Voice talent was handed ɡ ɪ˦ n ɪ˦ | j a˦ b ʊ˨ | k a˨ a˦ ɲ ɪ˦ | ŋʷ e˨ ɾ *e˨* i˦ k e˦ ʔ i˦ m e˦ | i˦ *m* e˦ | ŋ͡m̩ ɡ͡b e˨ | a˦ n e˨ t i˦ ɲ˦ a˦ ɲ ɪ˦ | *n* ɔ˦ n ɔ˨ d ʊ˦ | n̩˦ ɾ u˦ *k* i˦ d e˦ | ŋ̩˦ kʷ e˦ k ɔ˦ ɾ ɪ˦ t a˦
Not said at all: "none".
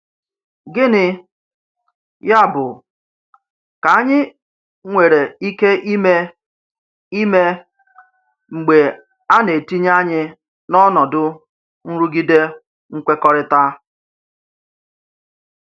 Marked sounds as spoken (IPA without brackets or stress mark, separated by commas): e˨, m, n, ɡ